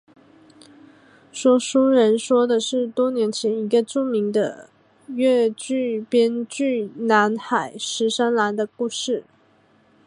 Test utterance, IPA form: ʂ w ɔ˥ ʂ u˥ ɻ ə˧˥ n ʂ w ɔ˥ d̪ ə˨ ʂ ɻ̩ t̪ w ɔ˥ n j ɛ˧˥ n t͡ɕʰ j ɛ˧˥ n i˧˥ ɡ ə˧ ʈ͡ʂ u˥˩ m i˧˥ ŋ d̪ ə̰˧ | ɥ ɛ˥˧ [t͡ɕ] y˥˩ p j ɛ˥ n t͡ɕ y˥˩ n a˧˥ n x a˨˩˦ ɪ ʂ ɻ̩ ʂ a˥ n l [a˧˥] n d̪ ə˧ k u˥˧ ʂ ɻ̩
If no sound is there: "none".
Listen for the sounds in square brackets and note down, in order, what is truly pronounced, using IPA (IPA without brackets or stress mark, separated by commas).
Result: t͡ɕ, a˧˥